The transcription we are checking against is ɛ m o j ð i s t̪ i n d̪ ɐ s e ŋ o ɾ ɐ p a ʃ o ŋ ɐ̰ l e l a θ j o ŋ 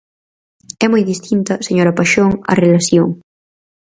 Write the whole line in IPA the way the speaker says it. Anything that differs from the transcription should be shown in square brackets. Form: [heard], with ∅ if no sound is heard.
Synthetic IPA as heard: ɛ m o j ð i s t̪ i n [t̪] ɐ s e [ɲ] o ɾ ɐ p a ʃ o ŋ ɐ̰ [r] e l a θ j o ŋ